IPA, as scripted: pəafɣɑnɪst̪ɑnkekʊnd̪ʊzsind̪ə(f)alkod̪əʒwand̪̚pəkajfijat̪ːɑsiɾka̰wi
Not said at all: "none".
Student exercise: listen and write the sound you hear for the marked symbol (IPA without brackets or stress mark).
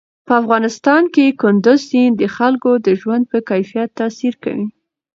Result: x